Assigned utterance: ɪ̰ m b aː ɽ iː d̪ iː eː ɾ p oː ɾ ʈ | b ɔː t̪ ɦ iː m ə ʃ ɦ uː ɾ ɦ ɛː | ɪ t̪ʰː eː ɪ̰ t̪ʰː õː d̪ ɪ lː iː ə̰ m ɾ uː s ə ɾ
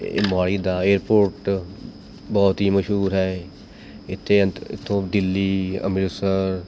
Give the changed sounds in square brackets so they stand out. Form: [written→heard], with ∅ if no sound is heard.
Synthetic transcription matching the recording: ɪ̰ m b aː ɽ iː d̪ [iː→aː] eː ɾ p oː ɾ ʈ | b ɔː t̪ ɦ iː m ə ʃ ɦ uː ɾ ɦ ɛː | ɪ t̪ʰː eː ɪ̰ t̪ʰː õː d̪ ɪ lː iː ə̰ m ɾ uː s ə ɾ